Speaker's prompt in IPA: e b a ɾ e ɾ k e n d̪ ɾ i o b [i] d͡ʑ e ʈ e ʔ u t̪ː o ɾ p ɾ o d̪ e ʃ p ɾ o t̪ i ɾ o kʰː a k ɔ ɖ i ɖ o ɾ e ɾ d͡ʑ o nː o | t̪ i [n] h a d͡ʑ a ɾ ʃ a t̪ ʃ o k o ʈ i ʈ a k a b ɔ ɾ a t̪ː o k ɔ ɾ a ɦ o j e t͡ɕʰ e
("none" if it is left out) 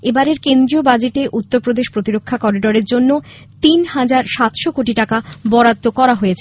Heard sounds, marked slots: a, n

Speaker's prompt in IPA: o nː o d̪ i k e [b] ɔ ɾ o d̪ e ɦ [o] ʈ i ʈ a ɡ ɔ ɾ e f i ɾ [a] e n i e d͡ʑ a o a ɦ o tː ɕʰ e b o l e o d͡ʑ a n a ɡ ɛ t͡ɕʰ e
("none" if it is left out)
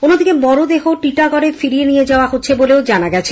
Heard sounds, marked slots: b, o, i

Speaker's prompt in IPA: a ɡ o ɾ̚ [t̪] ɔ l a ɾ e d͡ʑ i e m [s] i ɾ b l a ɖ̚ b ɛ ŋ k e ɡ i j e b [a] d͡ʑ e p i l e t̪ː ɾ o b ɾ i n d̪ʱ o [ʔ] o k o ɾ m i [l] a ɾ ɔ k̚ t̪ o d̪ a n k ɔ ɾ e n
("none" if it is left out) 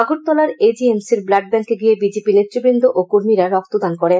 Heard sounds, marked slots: t̪, s, i, ʔ, ɾ

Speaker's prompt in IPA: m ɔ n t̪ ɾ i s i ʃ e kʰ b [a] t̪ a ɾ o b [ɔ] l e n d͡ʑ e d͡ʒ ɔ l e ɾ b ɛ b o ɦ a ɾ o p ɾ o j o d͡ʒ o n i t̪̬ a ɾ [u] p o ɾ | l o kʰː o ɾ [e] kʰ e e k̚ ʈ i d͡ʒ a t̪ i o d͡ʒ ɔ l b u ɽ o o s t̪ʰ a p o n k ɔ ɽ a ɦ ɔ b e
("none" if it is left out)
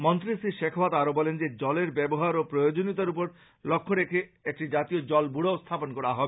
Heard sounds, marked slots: a, ɔ, u, e

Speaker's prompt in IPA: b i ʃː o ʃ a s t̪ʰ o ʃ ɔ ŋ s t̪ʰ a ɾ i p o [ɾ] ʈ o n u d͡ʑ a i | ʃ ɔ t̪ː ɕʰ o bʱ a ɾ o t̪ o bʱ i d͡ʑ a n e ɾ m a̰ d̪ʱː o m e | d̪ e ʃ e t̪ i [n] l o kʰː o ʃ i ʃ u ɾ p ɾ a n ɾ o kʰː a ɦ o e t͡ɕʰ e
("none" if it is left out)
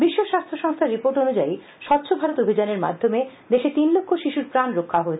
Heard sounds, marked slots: ɾ, n

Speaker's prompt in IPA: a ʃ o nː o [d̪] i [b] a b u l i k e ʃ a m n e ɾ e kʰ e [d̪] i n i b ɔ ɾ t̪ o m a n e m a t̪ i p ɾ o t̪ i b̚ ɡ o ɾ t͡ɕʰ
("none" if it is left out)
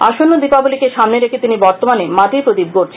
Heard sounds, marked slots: d̪, p, t̪

